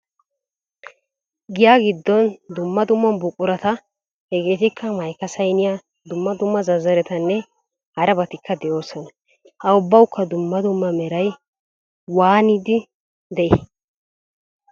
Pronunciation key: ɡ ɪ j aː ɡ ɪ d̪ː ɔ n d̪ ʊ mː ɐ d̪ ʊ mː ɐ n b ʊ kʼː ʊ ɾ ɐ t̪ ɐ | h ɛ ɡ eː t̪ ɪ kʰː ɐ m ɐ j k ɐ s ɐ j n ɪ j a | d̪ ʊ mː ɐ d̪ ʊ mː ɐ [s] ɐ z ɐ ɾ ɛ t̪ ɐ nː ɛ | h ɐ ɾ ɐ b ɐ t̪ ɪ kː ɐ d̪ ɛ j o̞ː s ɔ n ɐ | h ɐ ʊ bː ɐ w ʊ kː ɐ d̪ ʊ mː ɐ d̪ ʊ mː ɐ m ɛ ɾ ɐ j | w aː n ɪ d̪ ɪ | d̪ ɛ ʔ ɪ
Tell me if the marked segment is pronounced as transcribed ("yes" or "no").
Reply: no